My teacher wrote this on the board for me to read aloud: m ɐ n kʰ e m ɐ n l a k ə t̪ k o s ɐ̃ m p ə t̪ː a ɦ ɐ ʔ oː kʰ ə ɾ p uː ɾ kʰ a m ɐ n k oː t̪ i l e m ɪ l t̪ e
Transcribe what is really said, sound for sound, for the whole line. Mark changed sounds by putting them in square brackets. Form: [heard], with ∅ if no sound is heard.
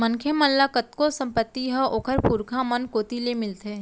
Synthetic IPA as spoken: m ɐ n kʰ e m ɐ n l a k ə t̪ k o s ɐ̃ m p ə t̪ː [i] ɦ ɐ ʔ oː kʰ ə ɾ p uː ɾ kʰ a m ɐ n k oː t̪ i l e m ɪ l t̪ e